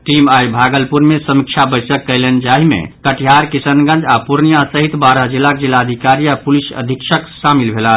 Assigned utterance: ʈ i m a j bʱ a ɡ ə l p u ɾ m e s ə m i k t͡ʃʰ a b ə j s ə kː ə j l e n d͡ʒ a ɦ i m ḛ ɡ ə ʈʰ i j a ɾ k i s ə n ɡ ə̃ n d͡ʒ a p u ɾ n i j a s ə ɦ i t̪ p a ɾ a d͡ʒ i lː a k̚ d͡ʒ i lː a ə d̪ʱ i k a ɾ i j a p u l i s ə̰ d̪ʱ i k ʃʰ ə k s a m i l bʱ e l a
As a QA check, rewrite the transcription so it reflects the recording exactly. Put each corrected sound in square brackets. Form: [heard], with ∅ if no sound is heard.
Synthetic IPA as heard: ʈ i m a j bʱ a ɡ ə l p u ɾ m e s ə m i k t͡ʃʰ a b ə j s ə kː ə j l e n d͡ʒ a ɦ i m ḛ [k] ə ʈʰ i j a ɾ k i s ə n ɡ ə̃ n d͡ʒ a p u ɾ n i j a s ə ɦ i t̪ [b] a ɾ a d͡ʒ i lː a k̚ d͡ʒ i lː a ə d̪ʱ i k a ɾ i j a p u l i s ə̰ d̪ʱ i k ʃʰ ə k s a m i l bʱ e l a